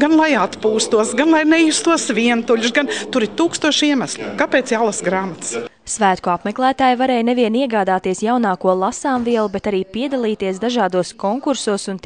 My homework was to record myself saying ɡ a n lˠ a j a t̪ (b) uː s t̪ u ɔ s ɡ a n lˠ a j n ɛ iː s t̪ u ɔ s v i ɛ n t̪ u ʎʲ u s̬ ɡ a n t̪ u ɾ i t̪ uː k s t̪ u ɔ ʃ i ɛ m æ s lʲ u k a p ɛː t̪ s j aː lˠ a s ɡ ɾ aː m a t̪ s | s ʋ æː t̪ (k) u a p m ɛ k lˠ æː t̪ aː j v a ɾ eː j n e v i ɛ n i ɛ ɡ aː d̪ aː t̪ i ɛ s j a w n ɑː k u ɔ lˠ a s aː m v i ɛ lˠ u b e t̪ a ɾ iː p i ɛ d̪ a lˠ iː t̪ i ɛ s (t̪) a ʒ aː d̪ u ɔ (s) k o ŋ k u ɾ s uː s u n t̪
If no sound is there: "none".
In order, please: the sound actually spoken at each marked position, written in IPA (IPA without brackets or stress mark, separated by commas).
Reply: p, k, d̪, s